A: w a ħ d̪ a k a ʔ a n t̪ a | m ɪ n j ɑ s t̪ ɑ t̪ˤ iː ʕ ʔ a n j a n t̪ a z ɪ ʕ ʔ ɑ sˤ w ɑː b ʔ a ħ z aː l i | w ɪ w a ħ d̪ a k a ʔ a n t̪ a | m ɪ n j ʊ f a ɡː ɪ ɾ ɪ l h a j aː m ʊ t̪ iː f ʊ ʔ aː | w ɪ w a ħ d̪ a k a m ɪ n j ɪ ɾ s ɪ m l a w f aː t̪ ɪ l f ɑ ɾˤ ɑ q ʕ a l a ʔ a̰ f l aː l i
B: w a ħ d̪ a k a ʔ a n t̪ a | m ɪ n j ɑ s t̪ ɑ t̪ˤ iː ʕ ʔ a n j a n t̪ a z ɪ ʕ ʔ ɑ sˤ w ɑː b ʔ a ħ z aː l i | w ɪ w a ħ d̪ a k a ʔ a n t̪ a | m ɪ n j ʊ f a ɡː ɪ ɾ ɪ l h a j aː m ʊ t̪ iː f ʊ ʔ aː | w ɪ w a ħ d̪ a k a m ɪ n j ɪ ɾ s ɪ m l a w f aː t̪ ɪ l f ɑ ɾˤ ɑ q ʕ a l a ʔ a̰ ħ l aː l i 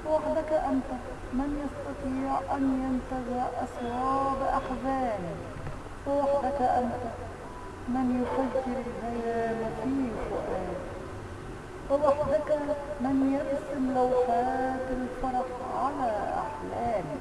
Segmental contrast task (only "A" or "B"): B